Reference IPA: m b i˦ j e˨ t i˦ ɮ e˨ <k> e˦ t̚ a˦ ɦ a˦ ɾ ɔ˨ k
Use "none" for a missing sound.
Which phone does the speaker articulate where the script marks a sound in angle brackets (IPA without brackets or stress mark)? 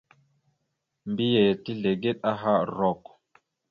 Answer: ɡ